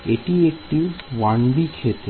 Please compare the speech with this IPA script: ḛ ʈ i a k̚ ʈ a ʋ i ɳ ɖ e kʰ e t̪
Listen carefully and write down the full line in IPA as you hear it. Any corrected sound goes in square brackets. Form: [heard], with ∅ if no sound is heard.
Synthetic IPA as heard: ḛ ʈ i [e] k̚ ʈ [i] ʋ [a] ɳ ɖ [i] kʰ e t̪